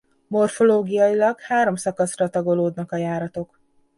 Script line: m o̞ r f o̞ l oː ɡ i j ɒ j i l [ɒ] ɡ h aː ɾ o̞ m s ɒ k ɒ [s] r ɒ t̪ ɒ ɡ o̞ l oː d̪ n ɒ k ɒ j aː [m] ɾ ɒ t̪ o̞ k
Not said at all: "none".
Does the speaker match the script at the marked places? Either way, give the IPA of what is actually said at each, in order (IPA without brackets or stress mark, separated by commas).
ɒ, s, none